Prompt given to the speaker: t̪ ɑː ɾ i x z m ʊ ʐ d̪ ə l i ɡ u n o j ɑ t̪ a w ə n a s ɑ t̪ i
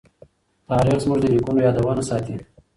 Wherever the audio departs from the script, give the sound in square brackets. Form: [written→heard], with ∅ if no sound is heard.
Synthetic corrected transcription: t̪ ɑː ɾ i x z m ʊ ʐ d̪ ə l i [ɡ→k] u n o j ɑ [t̪→d̪] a w [ə→ɑ] n a s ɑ t̪ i